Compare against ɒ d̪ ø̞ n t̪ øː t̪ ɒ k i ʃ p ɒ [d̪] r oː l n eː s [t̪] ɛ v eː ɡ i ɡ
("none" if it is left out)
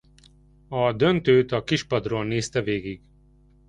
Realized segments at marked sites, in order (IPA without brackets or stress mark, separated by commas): d̪, t̪